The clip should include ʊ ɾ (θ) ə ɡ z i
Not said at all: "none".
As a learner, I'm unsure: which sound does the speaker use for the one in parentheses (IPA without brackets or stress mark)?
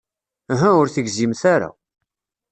θ